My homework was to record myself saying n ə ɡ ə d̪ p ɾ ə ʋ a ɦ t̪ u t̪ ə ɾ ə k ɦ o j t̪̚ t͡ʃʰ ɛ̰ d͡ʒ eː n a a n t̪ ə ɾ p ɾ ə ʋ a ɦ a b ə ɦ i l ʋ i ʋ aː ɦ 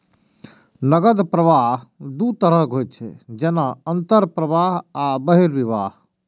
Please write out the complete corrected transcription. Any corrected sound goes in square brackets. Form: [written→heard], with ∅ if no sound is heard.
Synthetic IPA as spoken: n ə ɡ ə d̪ p ɾ ə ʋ a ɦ [t̪→d̪] u t̪ ə ɾ ə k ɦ o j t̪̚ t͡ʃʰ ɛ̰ d͡ʒ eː n a [a→ə] n t̪ ə ɾ p ɾ ə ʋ a ɦ a b ə ɦ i [l→ɾ] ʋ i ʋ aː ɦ